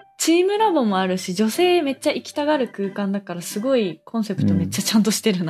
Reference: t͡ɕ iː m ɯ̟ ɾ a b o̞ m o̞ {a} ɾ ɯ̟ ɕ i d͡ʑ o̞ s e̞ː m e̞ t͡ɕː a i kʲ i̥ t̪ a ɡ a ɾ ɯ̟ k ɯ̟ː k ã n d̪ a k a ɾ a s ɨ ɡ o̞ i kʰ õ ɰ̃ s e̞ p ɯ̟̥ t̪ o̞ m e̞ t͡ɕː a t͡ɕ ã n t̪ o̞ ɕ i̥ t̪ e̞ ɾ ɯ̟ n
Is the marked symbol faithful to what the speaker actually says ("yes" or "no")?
yes